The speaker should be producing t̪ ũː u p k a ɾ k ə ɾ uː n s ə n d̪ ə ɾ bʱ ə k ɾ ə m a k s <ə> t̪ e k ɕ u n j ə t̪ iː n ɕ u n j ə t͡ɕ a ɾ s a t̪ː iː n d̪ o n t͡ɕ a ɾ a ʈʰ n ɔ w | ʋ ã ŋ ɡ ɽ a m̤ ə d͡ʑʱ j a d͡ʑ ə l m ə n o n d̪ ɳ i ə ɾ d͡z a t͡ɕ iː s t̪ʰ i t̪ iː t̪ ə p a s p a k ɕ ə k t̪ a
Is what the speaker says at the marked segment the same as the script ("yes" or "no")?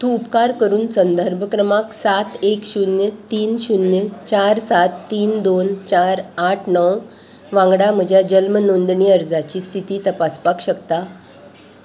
no